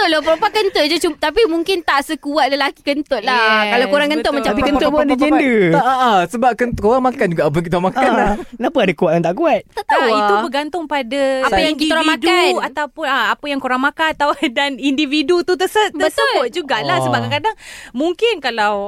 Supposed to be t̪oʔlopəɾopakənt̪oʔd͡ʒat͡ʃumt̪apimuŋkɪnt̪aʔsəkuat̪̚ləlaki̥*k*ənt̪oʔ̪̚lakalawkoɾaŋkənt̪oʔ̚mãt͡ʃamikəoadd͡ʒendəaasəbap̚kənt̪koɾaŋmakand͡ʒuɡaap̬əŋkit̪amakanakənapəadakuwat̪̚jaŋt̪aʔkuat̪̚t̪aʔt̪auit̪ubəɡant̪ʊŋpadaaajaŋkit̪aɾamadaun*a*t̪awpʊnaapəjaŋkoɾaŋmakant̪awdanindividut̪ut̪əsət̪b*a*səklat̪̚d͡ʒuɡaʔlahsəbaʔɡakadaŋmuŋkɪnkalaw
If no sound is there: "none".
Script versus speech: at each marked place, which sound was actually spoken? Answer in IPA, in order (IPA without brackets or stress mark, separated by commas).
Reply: k, a, ə